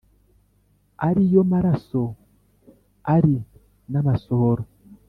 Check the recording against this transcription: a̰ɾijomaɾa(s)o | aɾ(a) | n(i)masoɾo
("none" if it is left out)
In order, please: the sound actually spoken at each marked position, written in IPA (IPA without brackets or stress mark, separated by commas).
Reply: s, i, a